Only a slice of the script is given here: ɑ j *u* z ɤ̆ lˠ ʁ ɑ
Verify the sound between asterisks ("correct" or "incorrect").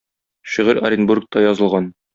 incorrect